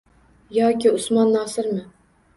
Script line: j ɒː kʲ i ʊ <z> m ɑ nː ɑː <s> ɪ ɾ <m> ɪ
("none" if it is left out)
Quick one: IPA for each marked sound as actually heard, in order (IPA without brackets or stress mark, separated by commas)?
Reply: s, s, m